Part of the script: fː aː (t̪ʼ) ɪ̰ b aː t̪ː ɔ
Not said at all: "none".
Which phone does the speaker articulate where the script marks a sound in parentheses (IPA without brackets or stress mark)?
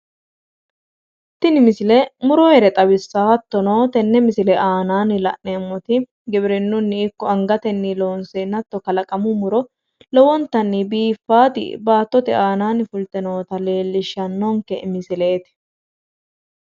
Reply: t̪